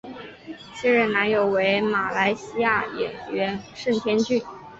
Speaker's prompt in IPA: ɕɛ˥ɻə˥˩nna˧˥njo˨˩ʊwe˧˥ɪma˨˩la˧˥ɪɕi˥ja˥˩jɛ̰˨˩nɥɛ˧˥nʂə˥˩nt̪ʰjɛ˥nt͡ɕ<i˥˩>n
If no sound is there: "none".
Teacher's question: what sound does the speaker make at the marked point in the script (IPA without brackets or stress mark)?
y˥˩